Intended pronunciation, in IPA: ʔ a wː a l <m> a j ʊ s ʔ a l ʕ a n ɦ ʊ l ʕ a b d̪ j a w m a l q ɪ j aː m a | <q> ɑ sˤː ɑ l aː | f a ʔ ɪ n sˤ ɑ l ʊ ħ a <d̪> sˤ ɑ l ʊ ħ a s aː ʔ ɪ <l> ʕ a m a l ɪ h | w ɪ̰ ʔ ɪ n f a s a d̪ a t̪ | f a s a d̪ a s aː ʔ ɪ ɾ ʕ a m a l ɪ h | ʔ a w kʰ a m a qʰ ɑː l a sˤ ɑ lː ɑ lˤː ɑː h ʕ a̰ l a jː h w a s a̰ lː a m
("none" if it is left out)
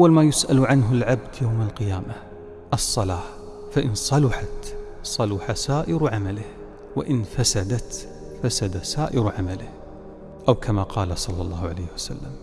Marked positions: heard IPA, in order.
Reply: m, ʔ, t̪, ɾ

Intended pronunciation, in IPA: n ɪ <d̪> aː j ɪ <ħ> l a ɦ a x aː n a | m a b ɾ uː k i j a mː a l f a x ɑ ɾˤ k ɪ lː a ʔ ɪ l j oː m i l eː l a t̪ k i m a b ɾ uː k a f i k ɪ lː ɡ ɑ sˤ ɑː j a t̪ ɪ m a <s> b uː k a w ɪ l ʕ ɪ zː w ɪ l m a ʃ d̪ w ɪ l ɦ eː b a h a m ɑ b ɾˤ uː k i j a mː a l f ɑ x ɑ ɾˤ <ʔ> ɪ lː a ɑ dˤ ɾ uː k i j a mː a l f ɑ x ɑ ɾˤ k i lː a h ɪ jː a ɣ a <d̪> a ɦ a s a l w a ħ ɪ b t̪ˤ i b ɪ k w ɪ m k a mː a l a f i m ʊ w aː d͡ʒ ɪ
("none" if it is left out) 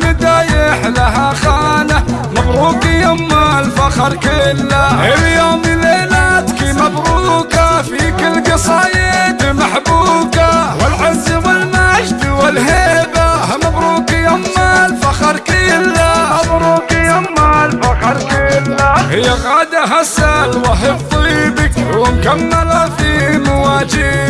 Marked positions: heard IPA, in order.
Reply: d̪, ħ, ħ, k, d̪

